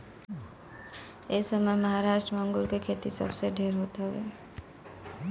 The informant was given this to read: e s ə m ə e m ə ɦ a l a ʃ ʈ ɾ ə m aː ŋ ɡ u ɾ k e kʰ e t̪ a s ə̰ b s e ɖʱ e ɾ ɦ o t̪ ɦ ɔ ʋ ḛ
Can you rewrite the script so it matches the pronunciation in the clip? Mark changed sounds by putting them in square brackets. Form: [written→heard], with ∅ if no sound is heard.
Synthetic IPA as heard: e s ə m ə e m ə ɦ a [l→ɾ] a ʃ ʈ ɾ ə m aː ŋ ɡ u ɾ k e kʰ e t̪ [a→i] s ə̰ b s e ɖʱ e ɾ ɦ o t̪ ɦ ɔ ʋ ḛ

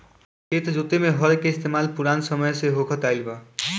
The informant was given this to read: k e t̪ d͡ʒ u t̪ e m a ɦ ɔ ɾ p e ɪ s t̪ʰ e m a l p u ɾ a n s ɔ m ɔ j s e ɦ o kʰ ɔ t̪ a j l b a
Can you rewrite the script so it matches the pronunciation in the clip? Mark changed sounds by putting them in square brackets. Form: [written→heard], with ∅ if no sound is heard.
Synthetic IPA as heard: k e t̪ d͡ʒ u t̪ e m [a→e] ɦ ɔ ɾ [p→k] e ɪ s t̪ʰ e m a l p u ɾ a n s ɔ m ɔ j s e ɦ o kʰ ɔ t̪ a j l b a

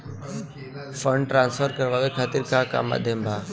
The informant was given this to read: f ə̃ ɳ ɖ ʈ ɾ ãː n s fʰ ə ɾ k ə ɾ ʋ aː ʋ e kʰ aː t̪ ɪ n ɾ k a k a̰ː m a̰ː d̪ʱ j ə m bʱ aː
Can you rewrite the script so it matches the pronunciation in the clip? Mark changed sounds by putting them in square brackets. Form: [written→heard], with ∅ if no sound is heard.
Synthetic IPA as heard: f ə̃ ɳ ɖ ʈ ɾ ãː n s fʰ ə ɾ k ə ɾ ʋ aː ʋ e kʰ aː t̪ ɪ [n→∅] ɾ k a k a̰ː m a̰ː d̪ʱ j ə m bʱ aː

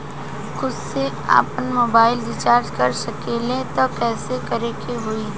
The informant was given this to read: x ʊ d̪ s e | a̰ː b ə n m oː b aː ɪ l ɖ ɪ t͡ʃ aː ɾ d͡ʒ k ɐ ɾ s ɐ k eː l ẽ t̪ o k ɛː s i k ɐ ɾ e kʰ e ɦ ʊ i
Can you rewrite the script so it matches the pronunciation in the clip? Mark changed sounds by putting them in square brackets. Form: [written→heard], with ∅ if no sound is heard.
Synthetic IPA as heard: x ʊ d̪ s e | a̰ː [b→p] ə n m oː b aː ɪ l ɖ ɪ t͡ʃ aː ɾ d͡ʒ k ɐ ɾ s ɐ k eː l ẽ t̪ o k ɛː s [i→e] k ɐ ɾ e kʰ e ɦ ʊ i

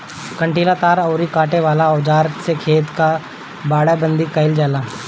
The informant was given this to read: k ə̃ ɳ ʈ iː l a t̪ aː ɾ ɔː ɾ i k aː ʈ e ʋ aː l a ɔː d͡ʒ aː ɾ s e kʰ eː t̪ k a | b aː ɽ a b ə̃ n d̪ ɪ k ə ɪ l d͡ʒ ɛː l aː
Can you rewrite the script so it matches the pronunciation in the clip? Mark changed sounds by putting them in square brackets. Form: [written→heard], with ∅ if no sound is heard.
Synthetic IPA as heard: k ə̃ ɳ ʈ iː l a t̪ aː ɾ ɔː ɾ i k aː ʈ e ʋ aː l a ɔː d͡ʒ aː ɾ s e kʰ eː t̪ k a | b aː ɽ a b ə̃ n d̪ [ɪ→i] k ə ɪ l d͡ʒ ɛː l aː

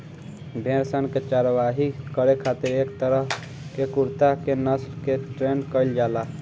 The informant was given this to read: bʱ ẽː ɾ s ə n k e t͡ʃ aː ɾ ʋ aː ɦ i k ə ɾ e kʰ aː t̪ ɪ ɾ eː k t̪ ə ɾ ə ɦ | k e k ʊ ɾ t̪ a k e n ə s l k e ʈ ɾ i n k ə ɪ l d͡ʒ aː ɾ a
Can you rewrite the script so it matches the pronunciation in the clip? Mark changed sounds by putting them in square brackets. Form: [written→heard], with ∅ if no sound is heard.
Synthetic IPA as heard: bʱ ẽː ɾ s ə n k e t͡ʃ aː ɾ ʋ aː ɦ i k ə ɾ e kʰ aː t̪ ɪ ɾ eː k t̪ ə ɾ ə ɦ | k e k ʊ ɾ t̪ a k e n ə s l k e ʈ ɾ [i→e] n k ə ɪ l d͡ʒ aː [ɾ→l] a

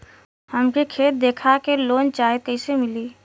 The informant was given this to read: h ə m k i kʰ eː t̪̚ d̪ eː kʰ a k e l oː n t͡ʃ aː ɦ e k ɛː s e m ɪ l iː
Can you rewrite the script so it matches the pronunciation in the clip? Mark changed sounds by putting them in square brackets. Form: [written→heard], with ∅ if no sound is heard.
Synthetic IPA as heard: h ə m k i kʰ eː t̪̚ d̪ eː kʰ a k e l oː n t͡ʃ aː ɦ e k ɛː s e m ɪ l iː

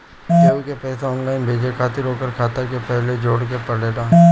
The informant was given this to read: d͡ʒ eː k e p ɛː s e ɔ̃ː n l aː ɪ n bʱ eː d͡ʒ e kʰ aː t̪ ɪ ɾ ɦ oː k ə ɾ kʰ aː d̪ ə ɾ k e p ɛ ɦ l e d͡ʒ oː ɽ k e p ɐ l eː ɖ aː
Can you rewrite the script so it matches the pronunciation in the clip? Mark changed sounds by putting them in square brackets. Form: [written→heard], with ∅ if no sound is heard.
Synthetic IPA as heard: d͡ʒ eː k e p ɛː s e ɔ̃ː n l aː ɪ n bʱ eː d͡ʒ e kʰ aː t̪ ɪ ɾ ɦ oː k ə ɾ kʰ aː [d̪→t̪] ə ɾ k e p ɛ ɦ l e d͡ʒ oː ɽ k e p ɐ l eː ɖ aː

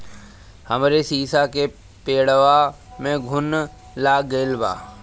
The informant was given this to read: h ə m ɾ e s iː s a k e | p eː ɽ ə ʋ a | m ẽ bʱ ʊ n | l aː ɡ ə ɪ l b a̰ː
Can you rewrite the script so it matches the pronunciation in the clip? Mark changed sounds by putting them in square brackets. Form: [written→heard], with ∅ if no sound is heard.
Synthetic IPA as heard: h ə m ɾ e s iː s a k e | p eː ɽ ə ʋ a | m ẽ [bʱ→ɡʱ] ʊ n | l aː ɡ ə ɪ l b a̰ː

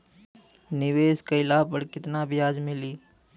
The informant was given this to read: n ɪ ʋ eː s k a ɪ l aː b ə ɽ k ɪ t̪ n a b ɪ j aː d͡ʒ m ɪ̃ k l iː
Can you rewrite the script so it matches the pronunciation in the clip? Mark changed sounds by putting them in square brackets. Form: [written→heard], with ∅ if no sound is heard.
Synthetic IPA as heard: n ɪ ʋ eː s k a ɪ l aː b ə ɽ k ɪ t̪ n a b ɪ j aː d͡ʒ m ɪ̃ [k→∅] l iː

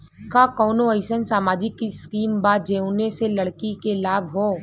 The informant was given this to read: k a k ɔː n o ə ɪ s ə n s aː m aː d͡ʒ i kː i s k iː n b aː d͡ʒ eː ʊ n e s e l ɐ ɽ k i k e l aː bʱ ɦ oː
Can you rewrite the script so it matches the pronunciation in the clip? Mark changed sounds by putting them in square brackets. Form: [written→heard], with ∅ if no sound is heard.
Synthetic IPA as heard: k a k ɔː n o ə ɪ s ə n s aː m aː d͡ʒ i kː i s k iː [n→m] b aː d͡ʒ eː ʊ n e s e l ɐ ɽ k i k e l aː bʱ ɦ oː

